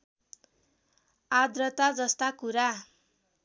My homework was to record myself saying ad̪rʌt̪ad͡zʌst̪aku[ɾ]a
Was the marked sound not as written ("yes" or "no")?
no